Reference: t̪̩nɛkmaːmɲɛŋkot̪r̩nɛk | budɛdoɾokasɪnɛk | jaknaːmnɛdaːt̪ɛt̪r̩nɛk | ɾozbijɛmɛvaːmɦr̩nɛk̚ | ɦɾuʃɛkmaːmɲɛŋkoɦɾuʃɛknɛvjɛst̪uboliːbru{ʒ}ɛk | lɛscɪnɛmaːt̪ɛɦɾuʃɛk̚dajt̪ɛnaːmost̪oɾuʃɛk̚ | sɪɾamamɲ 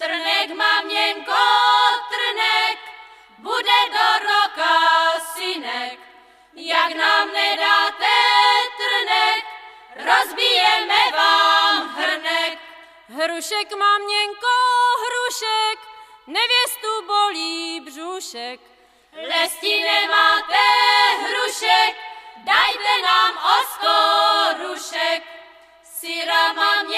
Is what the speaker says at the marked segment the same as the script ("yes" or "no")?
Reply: no